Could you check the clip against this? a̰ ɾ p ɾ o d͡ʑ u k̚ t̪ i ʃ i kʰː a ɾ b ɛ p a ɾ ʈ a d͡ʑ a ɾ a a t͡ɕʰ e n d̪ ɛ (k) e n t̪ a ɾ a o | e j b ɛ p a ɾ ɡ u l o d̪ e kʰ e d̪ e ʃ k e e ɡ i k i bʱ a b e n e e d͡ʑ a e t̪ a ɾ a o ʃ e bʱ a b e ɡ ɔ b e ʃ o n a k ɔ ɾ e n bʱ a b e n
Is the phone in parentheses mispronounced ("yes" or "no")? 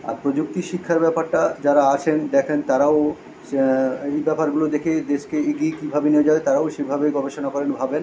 yes